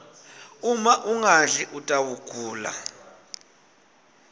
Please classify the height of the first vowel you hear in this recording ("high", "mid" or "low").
high